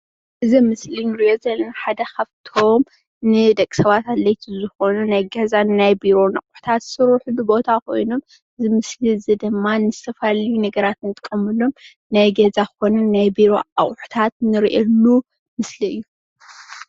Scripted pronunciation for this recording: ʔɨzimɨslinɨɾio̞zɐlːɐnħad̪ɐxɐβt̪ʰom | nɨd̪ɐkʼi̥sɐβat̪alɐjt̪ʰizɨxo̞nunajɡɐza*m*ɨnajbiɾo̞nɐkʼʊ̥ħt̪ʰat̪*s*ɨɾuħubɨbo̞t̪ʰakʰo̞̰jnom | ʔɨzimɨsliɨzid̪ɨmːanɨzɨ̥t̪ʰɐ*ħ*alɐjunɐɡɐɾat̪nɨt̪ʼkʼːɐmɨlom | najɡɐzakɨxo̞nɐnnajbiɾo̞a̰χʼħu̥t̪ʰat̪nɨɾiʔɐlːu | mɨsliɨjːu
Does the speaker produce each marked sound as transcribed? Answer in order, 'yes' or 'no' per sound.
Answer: no, yes, no

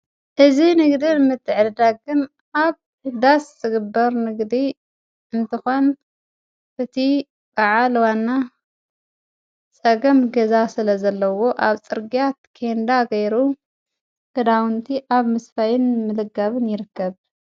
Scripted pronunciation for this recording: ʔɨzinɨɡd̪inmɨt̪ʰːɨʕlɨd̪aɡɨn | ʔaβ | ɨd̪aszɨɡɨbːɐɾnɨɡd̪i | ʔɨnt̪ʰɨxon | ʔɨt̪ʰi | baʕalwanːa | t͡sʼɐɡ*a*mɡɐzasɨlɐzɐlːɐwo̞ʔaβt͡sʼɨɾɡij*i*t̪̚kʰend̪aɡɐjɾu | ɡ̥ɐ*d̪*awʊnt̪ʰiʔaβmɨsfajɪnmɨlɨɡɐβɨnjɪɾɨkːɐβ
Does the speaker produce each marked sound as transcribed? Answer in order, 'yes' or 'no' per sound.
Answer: no, no, yes

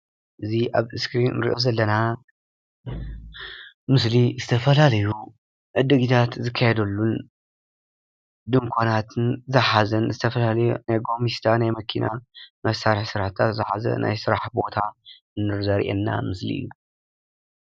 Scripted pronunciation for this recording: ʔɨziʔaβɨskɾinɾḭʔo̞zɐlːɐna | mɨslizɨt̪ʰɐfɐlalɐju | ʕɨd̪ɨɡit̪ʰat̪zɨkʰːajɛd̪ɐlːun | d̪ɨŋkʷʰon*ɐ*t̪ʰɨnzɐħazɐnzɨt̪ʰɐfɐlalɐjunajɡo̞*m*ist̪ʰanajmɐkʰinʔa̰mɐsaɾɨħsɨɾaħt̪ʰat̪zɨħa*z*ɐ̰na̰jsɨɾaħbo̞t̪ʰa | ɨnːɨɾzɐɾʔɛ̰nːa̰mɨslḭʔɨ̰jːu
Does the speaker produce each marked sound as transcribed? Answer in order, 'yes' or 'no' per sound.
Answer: no, yes, yes

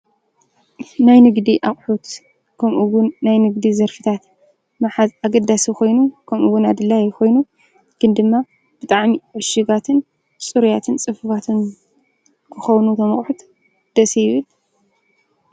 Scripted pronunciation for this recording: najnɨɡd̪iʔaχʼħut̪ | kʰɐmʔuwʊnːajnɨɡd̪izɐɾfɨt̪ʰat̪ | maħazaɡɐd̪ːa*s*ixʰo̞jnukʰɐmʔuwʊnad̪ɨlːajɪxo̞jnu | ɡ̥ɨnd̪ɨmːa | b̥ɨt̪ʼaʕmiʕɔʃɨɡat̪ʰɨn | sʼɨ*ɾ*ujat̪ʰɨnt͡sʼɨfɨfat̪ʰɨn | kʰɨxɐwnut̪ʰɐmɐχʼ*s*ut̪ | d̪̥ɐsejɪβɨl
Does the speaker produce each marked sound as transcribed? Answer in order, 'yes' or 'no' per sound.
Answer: yes, yes, no

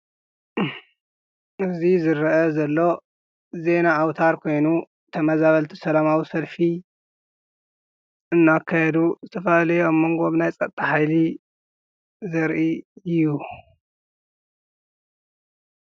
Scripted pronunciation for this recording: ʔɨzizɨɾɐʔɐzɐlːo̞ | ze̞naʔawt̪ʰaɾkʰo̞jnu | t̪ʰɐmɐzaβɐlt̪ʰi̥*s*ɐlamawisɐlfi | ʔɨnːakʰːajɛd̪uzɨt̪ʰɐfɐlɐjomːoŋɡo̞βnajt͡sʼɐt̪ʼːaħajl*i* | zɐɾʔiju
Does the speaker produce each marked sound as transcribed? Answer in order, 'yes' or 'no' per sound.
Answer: yes, yes

